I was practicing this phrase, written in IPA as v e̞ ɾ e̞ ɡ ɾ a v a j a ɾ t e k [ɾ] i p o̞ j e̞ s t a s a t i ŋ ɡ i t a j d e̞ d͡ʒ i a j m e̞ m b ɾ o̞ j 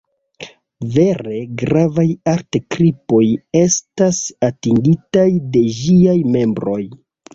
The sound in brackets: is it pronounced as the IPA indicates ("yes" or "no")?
yes